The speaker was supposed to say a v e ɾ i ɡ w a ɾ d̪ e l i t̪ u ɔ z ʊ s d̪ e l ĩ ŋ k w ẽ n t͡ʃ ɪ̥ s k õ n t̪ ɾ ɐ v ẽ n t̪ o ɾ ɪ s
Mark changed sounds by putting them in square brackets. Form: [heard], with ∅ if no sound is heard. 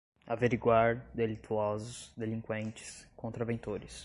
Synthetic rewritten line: a v e ɾ i ɡ w a ɾ d̪ e l i t̪ u ɔ z ʊ s d̪ e l ĩ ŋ k w ẽ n t͡ʃ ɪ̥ s k õ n t̪ ɾ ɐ v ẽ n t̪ o ɾ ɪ s